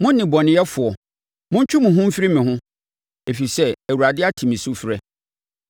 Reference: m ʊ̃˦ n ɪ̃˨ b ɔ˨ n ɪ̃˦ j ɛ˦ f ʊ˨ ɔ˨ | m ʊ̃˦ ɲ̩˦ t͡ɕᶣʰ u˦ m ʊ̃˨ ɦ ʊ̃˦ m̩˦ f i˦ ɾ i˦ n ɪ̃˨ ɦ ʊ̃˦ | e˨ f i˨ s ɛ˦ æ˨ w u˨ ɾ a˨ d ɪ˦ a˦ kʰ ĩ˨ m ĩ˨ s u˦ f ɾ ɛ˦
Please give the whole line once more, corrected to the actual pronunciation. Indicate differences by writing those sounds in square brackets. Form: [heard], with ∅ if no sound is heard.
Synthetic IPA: m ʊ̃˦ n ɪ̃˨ b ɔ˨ n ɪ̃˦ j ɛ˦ f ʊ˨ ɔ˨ | m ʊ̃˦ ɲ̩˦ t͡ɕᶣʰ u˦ m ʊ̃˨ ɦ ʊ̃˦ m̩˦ f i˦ ɾ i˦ [m] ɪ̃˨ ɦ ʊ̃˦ | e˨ f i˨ s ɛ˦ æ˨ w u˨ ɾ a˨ d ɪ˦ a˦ [tʰ] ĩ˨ m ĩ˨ s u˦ f ɾ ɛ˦